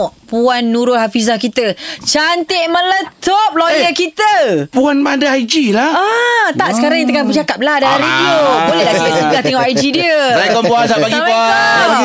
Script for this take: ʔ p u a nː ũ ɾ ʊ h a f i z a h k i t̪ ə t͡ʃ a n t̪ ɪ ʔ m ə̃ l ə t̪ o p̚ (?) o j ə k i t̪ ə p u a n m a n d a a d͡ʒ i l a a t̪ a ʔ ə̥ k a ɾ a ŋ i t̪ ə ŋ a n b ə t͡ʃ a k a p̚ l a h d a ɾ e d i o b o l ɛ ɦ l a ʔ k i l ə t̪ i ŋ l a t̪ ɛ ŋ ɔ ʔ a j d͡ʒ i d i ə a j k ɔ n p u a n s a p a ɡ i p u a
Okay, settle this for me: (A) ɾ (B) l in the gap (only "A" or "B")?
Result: B